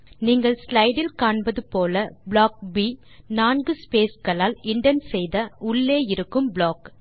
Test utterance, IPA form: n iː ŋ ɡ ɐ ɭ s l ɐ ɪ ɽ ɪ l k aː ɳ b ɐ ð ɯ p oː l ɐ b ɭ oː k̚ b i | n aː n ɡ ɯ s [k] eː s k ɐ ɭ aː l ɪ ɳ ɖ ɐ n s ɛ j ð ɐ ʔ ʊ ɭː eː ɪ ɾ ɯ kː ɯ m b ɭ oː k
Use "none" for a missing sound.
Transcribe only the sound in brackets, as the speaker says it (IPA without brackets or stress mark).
p